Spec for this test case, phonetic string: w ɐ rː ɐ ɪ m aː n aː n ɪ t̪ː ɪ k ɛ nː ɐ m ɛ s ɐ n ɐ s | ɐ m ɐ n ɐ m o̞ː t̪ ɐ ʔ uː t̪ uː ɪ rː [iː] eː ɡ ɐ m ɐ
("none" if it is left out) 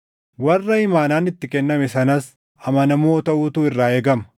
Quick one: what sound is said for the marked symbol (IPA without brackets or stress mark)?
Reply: aː